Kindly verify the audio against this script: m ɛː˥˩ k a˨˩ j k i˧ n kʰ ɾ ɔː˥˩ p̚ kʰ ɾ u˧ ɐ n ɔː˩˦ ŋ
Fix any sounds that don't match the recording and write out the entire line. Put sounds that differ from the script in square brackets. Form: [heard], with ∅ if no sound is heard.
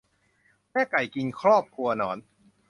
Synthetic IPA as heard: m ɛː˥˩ k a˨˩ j k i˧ n kʰ ɾ ɔː˥˩ p̚ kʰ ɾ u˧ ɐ n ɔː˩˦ [n]